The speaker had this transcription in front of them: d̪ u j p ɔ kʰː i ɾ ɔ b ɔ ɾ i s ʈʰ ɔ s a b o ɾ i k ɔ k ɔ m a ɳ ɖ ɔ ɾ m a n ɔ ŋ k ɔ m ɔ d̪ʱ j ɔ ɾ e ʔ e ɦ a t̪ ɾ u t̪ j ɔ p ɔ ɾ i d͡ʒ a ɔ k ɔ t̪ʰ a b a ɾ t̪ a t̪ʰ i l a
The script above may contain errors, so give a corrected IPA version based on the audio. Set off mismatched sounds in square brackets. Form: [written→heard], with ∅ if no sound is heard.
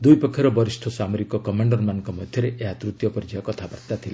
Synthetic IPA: d̪ u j p ɔ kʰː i ɾ ɔ b ɔ ɾ i s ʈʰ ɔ s a [b→m] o ɾ i k ɔ k ɔ m a ɳ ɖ ɔ ɾ m a n ɔ ŋ k ɔ m ɔ d̪ʱ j ɔ ɾ e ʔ e ɦ a t̪ ɾ u t̪ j ɔ p ɔ ɾ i d͡ʒ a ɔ k ɔ t̪ʰ a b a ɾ t̪ a t̪ʰ i l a